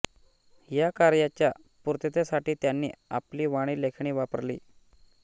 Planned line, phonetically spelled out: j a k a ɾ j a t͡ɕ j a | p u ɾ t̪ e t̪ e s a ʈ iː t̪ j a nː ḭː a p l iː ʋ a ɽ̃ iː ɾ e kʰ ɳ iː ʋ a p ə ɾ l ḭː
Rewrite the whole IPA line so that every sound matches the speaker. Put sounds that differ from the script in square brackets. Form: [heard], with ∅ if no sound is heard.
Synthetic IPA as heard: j a k a ɾ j a t͡ɕ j a | p u ɾ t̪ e t̪ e s a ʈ iː t̪ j a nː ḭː a p l iː ʋ a ɽ̃ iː [l] e kʰ ɳ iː ʋ a p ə ɾ l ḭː